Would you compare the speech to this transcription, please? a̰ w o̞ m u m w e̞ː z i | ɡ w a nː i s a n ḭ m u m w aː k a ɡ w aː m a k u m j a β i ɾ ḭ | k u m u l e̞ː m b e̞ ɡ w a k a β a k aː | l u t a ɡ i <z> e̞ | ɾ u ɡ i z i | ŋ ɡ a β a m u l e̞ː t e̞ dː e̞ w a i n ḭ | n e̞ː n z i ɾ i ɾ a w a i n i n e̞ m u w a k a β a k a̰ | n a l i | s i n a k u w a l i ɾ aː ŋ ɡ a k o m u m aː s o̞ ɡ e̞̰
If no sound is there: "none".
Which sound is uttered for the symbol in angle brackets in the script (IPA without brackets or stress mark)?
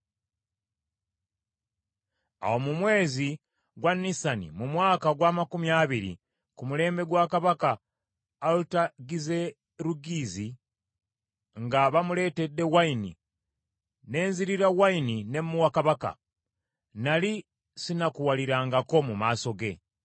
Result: z